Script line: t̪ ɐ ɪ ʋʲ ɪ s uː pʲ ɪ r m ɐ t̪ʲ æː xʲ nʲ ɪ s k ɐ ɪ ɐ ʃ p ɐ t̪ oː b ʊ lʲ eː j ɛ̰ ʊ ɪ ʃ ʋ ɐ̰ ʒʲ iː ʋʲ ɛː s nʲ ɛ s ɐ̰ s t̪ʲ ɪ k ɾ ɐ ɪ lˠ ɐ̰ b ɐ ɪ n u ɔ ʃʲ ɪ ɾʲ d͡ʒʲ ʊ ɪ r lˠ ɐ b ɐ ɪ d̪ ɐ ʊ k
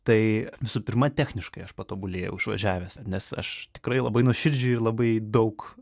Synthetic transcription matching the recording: t̪ ɐ ɪ ʋʲ ɪ s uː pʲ ɪ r m ɐ t̪ʲ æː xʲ nʲ ɪ ʃ k ɐ ɪ ɐ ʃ p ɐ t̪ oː b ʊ lʲ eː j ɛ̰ ʊ ɪ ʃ ʋ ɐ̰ ʒʲ æː ʋʲ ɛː s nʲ ɛ s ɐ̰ ʃ t̪ʲ ɪ k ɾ ɐ ɪ lˠ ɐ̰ b ɐ ɪ n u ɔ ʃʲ ɪ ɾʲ d͡ʒʲ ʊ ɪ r lˠ ɐ b ɐ ɪ d̪ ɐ ʊ k